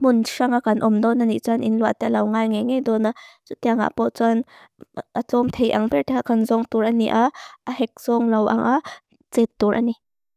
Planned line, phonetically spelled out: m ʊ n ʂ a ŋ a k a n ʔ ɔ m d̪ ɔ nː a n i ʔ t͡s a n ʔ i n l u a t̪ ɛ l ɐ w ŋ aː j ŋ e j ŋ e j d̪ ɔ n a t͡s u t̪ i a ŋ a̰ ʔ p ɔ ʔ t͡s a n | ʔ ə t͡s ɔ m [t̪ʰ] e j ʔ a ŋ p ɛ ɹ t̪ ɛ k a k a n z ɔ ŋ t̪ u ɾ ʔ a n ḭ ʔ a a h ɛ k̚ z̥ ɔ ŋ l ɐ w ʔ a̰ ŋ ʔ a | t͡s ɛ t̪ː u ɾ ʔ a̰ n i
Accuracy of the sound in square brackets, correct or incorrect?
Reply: correct